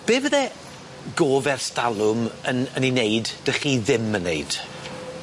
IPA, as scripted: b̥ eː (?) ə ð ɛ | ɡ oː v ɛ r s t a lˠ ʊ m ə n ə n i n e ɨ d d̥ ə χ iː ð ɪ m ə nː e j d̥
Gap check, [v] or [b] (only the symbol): v